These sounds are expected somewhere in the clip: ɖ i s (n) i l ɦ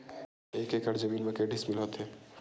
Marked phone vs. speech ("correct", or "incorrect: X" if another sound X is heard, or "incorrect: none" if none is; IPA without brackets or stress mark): incorrect: m